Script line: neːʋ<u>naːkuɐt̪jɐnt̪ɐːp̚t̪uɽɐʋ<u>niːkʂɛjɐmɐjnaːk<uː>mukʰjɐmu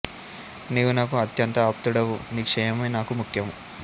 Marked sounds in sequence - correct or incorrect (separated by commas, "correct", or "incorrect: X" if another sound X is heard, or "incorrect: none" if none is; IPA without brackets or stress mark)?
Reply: correct, correct, incorrect: u